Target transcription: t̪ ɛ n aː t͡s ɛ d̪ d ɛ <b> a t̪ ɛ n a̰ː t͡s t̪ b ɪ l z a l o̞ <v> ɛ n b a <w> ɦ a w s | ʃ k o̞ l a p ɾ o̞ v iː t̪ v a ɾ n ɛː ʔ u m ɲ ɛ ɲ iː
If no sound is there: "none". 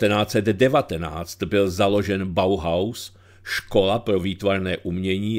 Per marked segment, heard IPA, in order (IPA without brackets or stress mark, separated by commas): v, ʒ, w